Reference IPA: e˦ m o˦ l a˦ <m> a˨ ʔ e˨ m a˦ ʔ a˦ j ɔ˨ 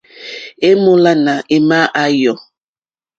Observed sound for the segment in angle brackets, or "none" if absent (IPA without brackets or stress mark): n